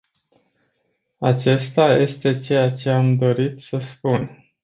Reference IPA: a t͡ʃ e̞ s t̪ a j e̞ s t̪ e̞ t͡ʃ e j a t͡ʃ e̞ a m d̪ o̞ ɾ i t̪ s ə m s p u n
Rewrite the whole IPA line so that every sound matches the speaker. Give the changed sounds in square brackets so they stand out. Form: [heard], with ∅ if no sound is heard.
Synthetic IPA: a t͡ʃ e̞ s t̪ a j e̞ s t̪ e̞ t͡ʃ e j a t͡ʃ e̞ a m d̪ o̞ ɾ i t̪ s ə [∅] s p u n